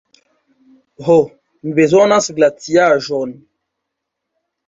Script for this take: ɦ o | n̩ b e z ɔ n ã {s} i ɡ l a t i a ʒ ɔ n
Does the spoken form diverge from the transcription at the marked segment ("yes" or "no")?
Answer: no